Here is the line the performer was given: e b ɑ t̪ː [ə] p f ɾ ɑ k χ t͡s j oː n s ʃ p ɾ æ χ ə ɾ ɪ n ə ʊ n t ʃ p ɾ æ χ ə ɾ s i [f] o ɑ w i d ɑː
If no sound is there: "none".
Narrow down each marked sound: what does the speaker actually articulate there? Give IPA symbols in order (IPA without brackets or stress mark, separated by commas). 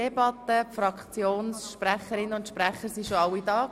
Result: ə, ʃ